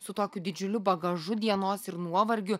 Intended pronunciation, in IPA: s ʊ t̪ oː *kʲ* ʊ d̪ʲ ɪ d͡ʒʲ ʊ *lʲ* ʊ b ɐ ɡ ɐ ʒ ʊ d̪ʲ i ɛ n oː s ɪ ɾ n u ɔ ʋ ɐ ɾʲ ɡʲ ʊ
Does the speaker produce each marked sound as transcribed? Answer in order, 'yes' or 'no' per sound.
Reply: yes, yes

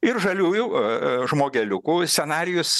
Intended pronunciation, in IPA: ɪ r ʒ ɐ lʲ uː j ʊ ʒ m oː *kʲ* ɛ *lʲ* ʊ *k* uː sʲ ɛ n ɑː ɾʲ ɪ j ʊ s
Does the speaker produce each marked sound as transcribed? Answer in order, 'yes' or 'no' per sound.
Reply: no, yes, yes

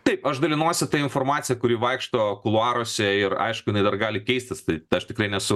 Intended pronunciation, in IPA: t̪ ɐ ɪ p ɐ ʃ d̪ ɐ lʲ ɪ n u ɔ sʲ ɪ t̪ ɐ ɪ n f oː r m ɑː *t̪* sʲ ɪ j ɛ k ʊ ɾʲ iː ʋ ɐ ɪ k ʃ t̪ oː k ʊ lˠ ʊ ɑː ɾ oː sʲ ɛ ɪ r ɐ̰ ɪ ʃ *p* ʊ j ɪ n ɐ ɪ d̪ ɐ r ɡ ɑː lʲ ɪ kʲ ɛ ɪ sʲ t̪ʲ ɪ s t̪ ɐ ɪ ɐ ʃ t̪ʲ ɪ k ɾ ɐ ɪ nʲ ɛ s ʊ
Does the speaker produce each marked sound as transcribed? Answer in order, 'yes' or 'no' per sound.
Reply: yes, no

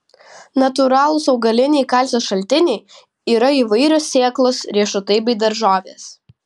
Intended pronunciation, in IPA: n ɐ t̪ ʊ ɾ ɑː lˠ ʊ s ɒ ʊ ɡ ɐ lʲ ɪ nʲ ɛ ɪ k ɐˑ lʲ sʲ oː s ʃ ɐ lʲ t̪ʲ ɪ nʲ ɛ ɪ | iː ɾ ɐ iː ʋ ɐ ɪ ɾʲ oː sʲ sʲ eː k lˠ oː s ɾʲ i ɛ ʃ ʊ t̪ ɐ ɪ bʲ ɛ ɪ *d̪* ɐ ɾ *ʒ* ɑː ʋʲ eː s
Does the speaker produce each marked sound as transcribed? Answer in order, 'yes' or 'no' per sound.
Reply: yes, yes

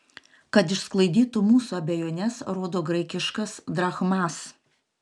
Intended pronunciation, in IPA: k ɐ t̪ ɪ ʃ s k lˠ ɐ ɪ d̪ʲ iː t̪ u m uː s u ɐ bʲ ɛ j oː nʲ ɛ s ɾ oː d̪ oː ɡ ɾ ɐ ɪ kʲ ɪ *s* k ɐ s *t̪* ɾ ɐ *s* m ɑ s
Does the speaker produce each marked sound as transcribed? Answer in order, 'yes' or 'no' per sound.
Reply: no, no, no

